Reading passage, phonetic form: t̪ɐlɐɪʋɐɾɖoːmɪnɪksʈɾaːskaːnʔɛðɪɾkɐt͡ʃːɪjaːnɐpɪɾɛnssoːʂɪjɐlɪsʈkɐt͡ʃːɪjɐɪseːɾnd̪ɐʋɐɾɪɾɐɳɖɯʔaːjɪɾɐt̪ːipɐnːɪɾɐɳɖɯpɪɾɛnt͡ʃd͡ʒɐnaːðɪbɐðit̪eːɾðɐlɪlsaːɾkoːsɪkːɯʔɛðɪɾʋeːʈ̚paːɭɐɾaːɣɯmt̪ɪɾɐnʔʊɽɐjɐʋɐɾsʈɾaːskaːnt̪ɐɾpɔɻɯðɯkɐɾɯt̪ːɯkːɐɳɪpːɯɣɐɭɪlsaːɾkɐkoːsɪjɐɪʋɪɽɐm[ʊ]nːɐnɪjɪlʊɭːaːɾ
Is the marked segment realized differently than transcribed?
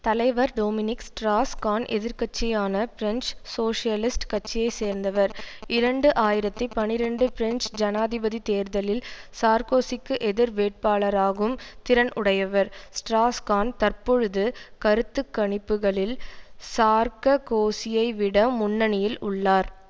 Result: no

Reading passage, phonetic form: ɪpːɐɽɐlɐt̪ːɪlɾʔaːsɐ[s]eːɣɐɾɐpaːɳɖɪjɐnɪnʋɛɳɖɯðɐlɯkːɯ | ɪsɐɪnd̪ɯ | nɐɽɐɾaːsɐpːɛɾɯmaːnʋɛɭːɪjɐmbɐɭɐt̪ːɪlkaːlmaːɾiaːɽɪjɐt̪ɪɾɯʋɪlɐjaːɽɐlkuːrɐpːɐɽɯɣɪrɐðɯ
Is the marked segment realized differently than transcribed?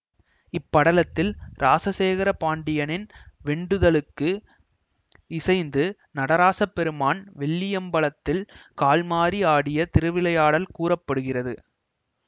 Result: no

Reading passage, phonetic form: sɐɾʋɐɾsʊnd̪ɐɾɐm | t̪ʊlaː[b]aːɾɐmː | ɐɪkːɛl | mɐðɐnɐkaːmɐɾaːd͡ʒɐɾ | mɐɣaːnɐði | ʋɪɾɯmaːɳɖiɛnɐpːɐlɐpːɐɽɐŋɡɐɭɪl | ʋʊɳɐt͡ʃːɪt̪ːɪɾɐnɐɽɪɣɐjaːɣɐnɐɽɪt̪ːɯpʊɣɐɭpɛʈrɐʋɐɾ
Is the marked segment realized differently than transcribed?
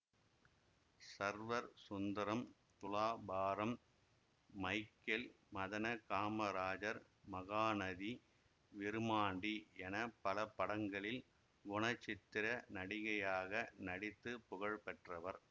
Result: no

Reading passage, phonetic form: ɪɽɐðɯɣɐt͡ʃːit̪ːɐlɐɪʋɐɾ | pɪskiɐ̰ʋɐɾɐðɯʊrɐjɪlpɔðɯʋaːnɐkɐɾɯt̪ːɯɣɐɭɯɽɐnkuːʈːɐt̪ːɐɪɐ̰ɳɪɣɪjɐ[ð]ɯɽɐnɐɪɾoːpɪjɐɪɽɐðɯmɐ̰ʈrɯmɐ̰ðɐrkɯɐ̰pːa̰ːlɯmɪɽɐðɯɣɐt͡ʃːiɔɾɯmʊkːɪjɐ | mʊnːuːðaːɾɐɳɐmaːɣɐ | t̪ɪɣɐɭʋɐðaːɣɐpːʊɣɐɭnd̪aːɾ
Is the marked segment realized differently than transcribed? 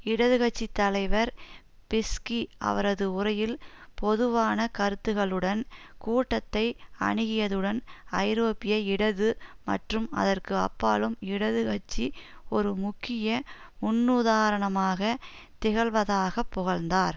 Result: no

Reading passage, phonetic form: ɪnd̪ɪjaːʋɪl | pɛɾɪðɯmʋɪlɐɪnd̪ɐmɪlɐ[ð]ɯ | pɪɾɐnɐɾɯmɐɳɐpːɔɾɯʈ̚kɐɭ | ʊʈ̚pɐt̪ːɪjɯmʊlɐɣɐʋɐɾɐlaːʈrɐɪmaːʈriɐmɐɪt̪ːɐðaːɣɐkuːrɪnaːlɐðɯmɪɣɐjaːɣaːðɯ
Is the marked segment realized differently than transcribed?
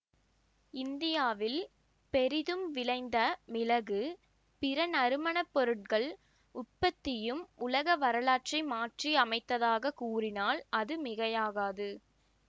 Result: yes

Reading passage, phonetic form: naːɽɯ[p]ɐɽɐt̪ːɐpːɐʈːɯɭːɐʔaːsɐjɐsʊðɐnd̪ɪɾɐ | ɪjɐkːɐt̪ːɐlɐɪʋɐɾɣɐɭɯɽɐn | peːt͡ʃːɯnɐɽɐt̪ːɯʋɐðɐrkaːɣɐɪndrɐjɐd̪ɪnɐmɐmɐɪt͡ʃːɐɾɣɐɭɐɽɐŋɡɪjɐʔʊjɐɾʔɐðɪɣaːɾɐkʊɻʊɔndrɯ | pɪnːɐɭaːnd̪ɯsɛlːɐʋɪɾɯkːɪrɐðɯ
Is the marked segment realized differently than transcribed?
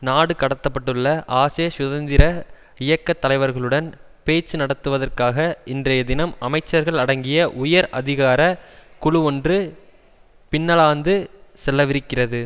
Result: yes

